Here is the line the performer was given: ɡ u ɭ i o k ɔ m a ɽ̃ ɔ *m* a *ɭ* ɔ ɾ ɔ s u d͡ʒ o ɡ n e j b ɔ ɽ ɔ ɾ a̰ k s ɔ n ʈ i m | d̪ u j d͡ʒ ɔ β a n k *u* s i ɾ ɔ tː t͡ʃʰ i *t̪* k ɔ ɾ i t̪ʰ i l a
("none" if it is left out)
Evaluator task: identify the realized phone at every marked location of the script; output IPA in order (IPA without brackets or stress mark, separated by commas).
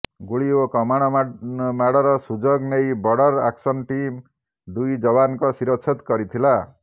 m, ɽ, ɔ, t̪